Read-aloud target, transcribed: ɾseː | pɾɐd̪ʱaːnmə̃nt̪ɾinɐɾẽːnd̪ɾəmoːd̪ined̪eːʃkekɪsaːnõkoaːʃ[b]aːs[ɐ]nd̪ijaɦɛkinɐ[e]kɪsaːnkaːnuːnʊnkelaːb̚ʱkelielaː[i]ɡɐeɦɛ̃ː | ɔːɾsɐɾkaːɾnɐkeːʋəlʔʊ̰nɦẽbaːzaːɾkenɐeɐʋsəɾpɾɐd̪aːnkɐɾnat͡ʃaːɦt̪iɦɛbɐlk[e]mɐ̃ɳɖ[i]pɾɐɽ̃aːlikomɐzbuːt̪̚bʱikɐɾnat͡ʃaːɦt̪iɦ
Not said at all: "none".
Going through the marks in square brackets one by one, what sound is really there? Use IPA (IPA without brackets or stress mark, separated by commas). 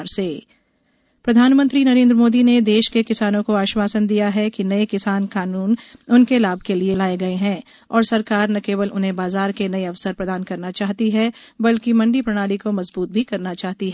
w, ə, e, e, i, i